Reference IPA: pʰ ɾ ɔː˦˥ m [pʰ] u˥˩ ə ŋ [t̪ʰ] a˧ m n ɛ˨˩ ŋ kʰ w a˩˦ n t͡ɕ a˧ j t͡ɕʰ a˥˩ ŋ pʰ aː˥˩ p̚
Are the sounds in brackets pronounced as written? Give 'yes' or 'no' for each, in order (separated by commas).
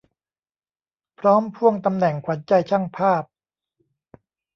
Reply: yes, no